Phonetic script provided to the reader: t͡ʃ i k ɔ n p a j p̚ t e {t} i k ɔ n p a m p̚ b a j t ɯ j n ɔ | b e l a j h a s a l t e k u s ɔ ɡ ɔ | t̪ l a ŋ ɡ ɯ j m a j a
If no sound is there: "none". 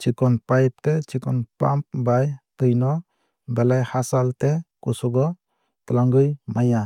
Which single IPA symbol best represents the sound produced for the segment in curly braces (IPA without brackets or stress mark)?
t͡ʃ